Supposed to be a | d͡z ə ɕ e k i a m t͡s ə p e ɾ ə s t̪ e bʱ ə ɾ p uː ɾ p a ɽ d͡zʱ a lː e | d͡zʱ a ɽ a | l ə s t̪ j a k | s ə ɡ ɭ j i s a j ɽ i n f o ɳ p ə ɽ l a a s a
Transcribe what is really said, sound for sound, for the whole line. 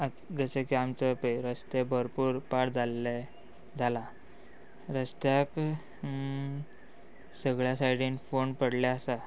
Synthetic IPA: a | d͡z ə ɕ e k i a m t͡s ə p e ɾ ə s t̪ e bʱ ə ɾ p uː ɾ p a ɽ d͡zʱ a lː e | d͡zʱ a l a | ɾ ə s t̪ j a k | s ə ɡ ɭ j a s a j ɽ i n f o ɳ p ə ɽ l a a s a